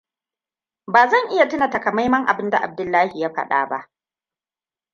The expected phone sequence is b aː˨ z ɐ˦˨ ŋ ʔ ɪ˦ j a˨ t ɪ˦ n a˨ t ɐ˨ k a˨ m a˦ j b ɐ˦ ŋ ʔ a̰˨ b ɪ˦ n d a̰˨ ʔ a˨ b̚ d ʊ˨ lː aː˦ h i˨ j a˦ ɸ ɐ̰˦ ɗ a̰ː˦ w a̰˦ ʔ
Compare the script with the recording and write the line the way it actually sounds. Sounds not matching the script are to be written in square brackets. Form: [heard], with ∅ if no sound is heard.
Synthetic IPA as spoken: b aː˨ z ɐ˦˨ ŋ ʔ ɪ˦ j a˨ t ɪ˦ n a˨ t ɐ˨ k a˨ m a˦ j [m] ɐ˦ ŋ ʔ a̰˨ b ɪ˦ n d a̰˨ ʔ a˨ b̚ d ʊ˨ lː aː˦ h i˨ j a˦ ɸ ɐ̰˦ ɗ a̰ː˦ [b] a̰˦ ʔ